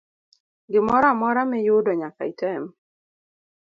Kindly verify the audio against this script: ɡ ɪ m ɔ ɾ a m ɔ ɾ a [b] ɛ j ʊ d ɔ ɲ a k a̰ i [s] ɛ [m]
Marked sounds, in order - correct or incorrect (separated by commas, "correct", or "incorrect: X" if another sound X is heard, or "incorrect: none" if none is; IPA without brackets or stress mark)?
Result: incorrect: m, incorrect: t, correct